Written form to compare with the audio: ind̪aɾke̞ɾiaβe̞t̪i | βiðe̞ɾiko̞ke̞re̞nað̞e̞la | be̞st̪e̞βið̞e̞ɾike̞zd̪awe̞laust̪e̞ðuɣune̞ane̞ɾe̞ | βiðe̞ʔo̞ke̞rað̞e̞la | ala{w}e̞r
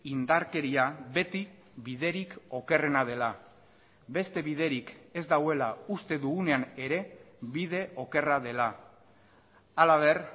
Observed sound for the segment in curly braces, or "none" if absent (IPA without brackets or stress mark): β